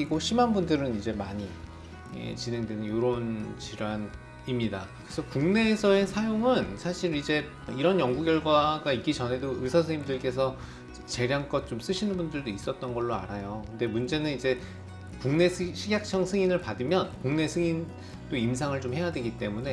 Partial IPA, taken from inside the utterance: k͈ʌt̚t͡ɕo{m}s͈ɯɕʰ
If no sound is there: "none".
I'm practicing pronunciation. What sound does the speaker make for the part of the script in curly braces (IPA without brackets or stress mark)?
m